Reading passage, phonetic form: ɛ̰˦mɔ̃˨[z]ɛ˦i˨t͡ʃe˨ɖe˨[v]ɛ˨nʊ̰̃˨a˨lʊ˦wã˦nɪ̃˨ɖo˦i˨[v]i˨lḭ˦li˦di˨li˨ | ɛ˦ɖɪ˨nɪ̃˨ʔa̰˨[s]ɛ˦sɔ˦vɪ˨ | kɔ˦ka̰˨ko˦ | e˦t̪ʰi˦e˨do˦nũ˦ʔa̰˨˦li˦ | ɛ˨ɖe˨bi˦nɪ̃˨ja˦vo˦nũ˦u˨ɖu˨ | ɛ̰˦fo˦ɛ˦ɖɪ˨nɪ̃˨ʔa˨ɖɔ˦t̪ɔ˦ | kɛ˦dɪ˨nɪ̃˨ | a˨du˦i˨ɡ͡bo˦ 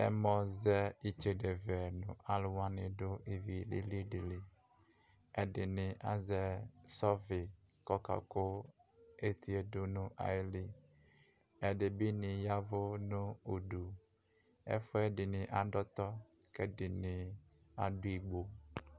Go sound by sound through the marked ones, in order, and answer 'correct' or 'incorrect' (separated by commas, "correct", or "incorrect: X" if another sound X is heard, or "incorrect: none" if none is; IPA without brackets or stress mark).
correct, correct, correct, incorrect: z